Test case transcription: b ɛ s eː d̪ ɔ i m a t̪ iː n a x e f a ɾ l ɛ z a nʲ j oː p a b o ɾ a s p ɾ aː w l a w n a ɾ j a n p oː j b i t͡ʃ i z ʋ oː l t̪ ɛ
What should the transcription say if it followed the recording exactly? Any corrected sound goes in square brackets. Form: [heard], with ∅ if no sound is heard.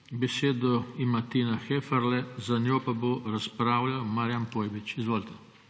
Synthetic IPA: b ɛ s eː d̪ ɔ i m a t̪ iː n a x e f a ɾ l ɛ z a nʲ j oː p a b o ɾ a s p ɾ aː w l a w [m] a ɾ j a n p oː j b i t͡ʃ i z ʋ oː l t̪ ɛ